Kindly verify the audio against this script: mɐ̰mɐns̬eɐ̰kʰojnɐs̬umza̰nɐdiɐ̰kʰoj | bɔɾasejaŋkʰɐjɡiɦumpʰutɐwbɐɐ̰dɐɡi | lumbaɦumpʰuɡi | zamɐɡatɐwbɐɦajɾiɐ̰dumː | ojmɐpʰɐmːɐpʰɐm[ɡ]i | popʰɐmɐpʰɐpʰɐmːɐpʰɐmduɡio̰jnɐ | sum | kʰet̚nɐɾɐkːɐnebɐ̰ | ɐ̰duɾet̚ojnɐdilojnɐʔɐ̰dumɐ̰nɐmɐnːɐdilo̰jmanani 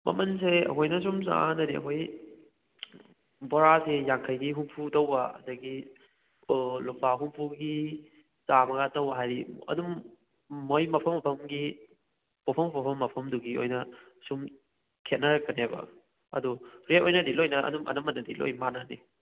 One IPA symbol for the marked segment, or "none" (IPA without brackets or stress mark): ɡ